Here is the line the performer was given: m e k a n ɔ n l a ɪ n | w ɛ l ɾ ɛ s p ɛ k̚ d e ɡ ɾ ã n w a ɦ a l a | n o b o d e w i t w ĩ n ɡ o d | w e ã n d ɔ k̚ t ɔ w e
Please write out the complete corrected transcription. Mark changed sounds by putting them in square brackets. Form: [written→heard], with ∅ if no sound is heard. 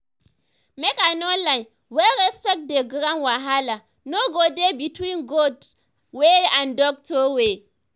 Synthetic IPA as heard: m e k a n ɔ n l a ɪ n | w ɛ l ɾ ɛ s p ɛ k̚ d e ɡ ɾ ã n w a ɦ a l a | n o [b→ɡ] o d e [w→b] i t w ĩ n ɡ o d | w e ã n d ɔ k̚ t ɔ w e

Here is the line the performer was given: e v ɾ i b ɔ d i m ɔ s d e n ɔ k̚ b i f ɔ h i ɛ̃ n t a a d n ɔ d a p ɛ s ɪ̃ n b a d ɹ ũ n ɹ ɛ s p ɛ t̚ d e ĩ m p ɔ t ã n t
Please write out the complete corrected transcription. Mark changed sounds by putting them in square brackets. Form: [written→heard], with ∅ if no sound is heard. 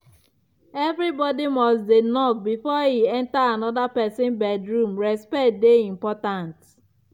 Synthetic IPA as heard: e v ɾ i b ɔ d i m ɔ s d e n ɔ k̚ b i f ɔ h i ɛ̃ n t a a [d→∅] n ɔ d a p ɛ s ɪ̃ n b [a→ɛ] d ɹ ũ [n→m] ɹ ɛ s p ɛ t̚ d e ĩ m p ɔ t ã n t

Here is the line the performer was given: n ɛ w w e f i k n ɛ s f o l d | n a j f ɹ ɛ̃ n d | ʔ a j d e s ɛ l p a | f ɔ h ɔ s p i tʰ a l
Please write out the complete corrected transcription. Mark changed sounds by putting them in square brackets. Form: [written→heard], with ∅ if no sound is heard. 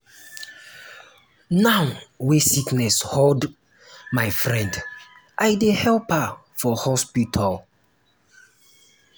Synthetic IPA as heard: n [ɛ→a] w w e [f→s] i k n ɛ s [f→h] o l d | [n→m] a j f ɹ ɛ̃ n d | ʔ a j d e [s→h] ɛ l p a | f ɔ h ɔ s p i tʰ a l

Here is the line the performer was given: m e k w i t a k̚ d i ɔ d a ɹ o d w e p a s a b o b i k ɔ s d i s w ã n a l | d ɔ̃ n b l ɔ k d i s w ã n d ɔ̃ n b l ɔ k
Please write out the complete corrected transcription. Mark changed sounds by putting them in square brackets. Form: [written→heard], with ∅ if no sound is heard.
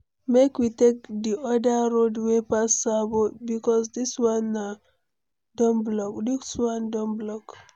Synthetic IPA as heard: m e k w i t [a→e] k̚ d i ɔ d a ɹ o d w e p a s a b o b i k ɔ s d i s w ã n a [l→∅] | d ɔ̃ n b l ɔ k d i s w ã n d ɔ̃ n b l ɔ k

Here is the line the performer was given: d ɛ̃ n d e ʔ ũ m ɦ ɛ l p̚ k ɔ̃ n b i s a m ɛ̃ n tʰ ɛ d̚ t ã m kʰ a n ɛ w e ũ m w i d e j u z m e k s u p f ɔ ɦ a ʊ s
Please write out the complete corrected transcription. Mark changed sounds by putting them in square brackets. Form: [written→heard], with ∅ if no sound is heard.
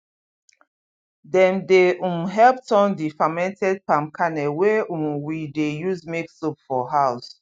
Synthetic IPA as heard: d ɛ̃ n d e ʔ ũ m ɦ ɛ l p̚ [k→t] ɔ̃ n [b→d] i [s→f] a m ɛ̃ n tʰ ɛ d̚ [t→p] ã m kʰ a n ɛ w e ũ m w i d e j u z m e k s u p f ɔ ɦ a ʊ s

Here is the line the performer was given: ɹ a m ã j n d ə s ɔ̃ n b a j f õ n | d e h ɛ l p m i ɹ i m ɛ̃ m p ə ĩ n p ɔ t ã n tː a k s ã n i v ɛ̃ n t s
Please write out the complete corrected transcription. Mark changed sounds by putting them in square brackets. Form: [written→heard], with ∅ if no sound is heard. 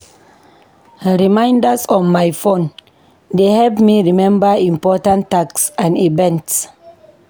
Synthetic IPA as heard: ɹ [a→i] m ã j n d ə s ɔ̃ n [b→m] a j f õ n | d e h ɛ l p m i ɹ i m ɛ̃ m [p→b] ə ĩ [n→m] p ɔ t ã n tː a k s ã n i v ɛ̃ n t s

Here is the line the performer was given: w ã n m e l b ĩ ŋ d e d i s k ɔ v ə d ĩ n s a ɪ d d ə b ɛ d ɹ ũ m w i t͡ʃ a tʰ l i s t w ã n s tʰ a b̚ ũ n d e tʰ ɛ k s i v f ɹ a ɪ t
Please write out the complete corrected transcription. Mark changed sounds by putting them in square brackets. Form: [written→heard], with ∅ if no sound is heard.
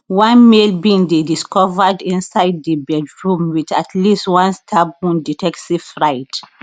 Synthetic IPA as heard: w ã n m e l b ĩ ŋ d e d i s k ɔ v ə d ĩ n s a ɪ d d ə b ɛ d ɹ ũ m w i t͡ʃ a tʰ l i s t w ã n s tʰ a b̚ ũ n d [e→i] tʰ ɛ k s i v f ɹ a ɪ t

